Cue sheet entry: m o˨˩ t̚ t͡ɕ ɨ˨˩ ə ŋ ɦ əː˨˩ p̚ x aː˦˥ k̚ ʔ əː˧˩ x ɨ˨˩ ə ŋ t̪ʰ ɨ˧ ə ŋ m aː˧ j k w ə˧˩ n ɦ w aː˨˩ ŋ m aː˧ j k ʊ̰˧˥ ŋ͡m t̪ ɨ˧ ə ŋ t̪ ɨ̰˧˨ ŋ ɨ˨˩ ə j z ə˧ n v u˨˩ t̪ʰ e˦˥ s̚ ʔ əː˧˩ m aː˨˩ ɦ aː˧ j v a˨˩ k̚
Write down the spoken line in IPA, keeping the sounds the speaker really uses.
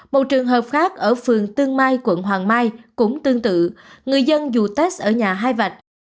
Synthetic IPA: m o˨˩ t̚ t͡ɕ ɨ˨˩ ə ŋ ɦ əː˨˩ p̚ x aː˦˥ k̚ ʔ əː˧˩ f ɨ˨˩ ə ŋ t̪ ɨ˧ ə ŋ m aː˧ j k w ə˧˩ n ɦ w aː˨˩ ŋ m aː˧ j k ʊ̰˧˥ ŋ͡m t̪ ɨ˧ ə ŋ t̪ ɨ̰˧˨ ŋ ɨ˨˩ ə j z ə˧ n z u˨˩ t̪ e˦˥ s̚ ʔ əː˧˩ ɲ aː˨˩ ɦ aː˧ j v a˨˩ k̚